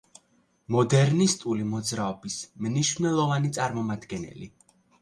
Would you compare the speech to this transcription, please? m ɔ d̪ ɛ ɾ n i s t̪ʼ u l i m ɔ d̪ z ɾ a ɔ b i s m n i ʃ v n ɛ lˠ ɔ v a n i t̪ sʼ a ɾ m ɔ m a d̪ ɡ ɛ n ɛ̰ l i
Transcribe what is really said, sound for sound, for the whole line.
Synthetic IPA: m ɔ d̪ ɛ ɾ n i s t̪ʼ u l i m ɔ d̪ z ɾ a ɔ b i s m n i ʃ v n ɛ lˠ ɔ v a n i t̪ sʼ a ɾ m ɔ m a d̪ ɡ ɛ n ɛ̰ l i

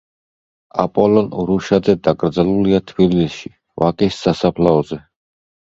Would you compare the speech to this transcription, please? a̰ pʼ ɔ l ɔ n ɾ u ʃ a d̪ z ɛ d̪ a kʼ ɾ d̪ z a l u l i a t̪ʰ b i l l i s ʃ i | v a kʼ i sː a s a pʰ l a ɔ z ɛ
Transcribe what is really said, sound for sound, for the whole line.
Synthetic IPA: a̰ pʼ ɔ l ɔ n ɾ u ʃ a d̪ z ɛ d̪ a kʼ ɾ d̪ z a l u l i a t̪ʰ b i l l i s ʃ i | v a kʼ i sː a s a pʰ l a ɔ z ɛ

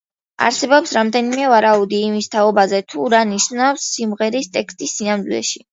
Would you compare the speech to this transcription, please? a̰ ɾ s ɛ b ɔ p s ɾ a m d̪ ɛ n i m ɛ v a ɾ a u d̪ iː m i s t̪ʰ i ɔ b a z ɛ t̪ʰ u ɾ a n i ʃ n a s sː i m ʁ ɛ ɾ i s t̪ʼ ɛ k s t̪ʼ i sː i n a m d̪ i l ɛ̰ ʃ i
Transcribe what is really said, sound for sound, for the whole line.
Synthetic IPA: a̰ ɾ s ɛ b ɔ p s ɾ a m d̪ ɛ n i m ɛ v a ɾ a u d̪ iː m i s t̪ʰ a ɔ b a z ɛ t̪ʰ u ɾ a n i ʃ n a f sː i m ʁ ɛ ɾ i s t̪ʼ ɛ k s t̪ʼ i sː i n a m d̪ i l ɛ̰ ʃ i

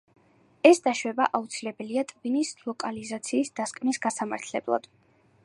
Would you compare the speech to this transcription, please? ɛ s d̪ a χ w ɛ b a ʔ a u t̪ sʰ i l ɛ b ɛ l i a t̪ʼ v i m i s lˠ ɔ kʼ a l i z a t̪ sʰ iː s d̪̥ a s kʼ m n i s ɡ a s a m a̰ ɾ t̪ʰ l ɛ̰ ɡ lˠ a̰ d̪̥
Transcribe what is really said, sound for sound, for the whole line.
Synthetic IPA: ɛ s d̪ a ʃ w ɛ b a ʔ a u t̪ sʰ i l ɛ b ɛ l i a t̪ʼ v i n i s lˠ ɔ kʼ a l i z a t̪ sʰ iː s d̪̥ a s kʼ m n i s ɡ a s a m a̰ ɾ t̪ʰ l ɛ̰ b lˠ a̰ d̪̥

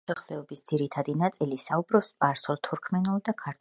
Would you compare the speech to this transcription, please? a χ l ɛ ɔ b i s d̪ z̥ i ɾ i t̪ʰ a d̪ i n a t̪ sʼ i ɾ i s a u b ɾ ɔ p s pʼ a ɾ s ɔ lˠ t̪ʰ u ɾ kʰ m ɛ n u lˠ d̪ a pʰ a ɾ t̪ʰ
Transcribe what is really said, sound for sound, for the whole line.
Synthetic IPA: a χ l ɛ ɔ b i s d̪ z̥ i ɾ i t̪ʰ a d̪ i n a t̪ sʼ i l i s a u b ɾ ɔ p s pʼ a ɾ s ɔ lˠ t̪ʰ u ɾ kʰ m ɛ n u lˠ d̪ a kʰ a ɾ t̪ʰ

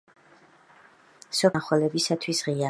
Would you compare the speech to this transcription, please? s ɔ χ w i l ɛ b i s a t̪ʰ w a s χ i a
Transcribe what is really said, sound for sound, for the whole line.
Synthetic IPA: s ɔ χ w ɛ l ɛ b i s a t̪ʰ w i s ʁ i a

